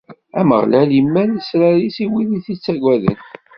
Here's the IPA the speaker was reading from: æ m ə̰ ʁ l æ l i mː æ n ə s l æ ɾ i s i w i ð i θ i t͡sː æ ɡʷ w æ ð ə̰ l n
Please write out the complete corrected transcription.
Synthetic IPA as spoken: æ m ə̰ ʁ l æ l i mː æ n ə s ɾ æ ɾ i s i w i ð i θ i t͡sː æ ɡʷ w æ ð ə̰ n